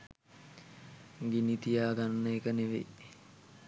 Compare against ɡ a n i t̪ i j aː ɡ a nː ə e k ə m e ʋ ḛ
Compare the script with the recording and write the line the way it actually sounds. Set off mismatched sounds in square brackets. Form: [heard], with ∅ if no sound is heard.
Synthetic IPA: ɡ [i] n i t̪ i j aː ɡ a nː ə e k ə [n] e ʋ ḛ